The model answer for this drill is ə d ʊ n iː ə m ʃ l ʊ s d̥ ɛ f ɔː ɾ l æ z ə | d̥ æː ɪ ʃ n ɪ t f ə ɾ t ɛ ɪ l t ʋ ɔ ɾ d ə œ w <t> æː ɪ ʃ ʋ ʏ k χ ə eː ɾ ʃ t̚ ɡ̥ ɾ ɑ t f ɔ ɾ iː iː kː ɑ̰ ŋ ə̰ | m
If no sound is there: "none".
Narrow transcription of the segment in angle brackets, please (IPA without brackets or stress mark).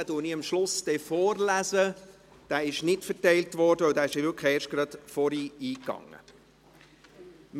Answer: d